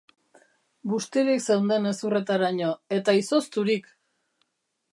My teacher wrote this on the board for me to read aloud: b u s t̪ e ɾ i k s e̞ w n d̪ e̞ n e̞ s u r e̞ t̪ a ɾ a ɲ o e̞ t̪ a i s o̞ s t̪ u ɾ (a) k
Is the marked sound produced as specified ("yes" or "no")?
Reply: no